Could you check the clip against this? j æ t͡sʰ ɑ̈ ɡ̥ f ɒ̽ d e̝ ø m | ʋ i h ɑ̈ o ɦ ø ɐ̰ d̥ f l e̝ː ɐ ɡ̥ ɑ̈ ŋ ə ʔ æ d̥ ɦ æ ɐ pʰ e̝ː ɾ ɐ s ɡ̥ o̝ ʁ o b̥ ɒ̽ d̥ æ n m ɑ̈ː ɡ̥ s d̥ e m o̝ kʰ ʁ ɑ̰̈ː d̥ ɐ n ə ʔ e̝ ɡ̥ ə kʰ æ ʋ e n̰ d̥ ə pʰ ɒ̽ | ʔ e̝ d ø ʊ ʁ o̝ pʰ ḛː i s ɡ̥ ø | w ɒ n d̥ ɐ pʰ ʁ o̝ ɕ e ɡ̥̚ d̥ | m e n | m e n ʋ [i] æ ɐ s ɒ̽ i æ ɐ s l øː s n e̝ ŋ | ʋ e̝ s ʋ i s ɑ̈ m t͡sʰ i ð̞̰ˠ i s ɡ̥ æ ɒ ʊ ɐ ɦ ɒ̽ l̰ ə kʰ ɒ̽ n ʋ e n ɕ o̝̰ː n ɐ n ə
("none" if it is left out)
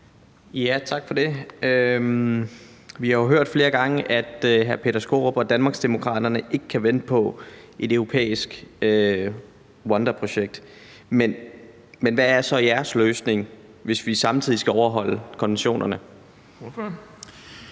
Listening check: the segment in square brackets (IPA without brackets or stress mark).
æ